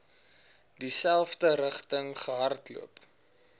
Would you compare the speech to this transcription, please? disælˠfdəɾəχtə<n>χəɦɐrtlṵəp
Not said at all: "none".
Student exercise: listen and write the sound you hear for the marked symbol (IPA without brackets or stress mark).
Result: ŋ